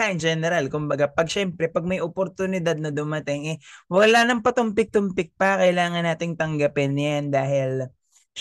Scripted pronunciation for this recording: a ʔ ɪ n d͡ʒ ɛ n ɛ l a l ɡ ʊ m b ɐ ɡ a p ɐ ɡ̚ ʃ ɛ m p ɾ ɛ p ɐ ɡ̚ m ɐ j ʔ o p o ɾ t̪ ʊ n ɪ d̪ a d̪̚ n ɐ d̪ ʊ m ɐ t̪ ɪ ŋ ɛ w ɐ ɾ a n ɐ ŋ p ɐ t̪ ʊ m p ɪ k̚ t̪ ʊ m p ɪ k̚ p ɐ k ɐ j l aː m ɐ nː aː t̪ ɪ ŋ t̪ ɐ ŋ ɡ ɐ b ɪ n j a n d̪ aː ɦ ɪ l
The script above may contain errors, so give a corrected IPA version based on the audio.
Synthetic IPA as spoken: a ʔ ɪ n d͡ʒ ɛ n ɛ ɾ a l k ʊ m b ɐ ɡ a p ɐ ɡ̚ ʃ ɛ m p ɾ ɛ p ɐ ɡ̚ m ɐ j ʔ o p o ɾ t̪ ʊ n ɪ d̪ a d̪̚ n ɐ d̪ ʊ m ɐ t̪ ɪ ŋ ɛ w ɐ l a n ɐ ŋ p ɐ t̪ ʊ m p ɪ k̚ t̪ ʊ m p ɪ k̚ p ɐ k ɐ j l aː ŋ ɐ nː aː t̪ ɪ ŋ t̪ ɐ ŋ ɡ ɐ p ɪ n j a n d̪ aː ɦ ɪ l